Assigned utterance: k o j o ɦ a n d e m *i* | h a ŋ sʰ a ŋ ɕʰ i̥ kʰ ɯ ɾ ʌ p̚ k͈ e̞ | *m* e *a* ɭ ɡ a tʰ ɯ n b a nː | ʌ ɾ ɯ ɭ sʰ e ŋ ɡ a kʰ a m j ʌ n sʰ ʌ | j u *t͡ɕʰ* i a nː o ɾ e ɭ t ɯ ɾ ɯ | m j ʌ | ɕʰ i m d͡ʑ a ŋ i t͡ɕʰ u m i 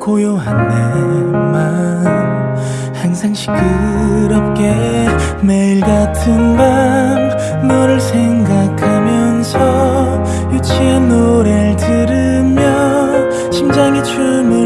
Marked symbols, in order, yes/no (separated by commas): no, yes, no, yes